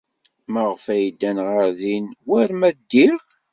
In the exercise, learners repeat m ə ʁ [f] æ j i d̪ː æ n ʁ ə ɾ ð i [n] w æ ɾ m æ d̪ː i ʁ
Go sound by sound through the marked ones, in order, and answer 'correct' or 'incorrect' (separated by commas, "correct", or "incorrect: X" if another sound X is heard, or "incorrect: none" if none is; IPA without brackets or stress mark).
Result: correct, correct